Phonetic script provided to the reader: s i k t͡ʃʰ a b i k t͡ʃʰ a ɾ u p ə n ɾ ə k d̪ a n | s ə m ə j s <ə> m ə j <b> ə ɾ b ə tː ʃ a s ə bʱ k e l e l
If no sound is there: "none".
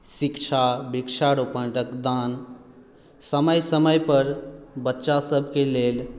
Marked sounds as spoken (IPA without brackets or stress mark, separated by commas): ə, p